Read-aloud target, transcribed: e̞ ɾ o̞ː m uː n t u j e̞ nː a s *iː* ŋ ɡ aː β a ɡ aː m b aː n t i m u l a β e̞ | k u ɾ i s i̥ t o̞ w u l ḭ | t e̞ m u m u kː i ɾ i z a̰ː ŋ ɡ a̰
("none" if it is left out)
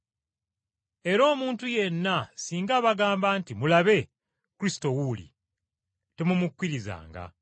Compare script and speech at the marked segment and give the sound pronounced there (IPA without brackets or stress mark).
iː